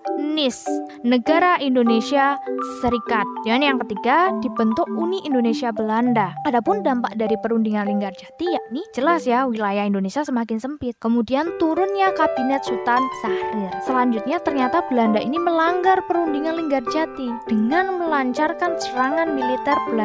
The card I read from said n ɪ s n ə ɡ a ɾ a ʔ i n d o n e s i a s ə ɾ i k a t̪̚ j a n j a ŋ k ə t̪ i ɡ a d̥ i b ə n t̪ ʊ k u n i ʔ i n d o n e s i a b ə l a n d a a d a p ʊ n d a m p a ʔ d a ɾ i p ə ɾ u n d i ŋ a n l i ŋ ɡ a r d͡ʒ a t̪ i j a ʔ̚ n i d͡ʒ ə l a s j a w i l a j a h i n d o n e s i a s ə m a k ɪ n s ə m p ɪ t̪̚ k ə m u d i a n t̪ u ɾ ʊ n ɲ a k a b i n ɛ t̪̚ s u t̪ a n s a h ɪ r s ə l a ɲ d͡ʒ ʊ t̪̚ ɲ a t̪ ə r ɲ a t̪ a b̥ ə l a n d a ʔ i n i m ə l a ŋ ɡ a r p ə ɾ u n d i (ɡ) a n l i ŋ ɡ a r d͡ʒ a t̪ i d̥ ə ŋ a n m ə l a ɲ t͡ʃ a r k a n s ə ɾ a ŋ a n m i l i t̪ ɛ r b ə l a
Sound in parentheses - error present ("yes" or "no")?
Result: yes